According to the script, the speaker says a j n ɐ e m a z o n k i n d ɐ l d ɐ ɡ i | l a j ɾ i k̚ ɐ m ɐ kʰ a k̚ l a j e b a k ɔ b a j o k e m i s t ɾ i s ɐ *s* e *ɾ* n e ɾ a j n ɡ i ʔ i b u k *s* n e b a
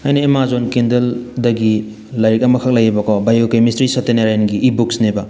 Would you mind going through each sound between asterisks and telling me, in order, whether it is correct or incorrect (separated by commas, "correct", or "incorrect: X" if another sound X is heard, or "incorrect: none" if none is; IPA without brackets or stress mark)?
incorrect: t, incorrect: none, correct